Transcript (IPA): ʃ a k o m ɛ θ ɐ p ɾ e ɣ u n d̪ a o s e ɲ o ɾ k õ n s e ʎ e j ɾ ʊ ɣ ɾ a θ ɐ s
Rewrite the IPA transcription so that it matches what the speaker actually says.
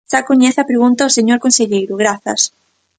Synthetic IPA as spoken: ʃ a k o ɲ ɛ θ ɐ p ɾ e ɣ u n t̪ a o s e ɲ o ɾ k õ n s e ʎ e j ɾ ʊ ɣ ɾ a θ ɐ s